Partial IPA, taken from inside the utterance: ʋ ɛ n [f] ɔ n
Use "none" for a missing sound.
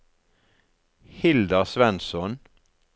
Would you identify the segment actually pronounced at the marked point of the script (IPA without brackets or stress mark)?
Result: s